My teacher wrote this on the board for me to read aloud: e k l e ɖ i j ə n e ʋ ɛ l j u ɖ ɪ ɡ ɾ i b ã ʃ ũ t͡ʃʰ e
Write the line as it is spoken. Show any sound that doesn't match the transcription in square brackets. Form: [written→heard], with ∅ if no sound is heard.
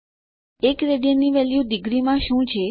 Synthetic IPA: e k [l→ɾ] e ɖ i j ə n [e→i] ʋ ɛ l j u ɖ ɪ ɡ ɾ i [b→m] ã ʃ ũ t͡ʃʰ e